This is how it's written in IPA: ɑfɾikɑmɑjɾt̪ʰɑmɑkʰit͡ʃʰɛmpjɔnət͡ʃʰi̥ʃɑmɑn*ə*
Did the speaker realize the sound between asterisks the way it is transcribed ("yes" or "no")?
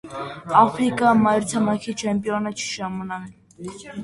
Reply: no